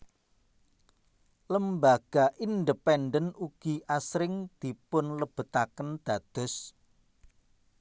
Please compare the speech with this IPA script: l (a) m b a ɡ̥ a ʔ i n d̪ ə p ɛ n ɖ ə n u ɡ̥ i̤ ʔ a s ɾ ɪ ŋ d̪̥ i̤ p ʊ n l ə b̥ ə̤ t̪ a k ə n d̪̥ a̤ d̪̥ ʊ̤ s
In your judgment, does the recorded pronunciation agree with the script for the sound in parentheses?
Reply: no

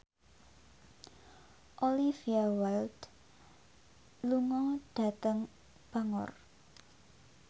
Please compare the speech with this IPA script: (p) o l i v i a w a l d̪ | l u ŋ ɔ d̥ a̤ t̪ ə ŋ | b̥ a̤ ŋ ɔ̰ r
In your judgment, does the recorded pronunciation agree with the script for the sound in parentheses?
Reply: no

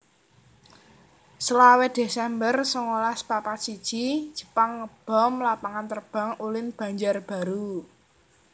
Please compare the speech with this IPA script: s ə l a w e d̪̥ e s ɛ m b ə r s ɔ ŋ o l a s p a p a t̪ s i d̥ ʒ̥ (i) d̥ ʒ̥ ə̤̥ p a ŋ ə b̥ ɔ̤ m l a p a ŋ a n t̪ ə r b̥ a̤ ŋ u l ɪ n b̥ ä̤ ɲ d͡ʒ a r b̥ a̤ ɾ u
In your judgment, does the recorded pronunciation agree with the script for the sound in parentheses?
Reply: yes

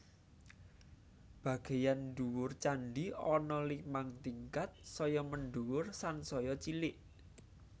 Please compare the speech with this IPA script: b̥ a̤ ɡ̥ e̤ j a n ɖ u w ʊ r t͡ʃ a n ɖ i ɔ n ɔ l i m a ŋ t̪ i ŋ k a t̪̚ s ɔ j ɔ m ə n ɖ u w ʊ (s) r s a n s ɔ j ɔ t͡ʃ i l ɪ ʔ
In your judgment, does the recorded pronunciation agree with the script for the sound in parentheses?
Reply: no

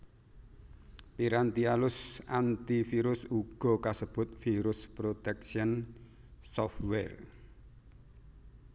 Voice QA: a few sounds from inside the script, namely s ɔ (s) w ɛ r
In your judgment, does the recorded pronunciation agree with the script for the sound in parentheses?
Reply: no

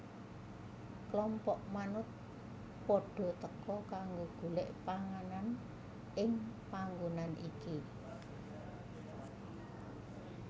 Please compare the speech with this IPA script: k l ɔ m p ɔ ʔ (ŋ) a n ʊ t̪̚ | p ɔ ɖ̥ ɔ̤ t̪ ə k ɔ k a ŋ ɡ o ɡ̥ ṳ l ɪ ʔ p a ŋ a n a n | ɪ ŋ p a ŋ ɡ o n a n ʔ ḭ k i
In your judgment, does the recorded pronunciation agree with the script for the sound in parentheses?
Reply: no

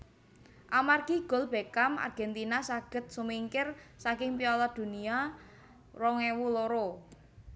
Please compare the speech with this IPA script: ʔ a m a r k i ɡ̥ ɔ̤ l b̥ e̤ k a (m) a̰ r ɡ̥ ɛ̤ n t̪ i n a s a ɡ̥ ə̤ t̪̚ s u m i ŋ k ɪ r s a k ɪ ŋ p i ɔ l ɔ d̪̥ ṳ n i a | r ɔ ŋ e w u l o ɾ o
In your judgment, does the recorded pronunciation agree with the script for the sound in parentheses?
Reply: yes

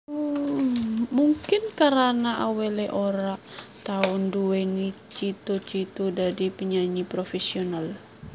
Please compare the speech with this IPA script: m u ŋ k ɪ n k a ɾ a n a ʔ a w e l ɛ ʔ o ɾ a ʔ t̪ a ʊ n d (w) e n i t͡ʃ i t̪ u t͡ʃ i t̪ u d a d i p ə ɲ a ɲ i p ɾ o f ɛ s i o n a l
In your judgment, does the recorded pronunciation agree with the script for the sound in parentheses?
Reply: no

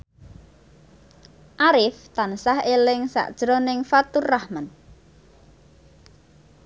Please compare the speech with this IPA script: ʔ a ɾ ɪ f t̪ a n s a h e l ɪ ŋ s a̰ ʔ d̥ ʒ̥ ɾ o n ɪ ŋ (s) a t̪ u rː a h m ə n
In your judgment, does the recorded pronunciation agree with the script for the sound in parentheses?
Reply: no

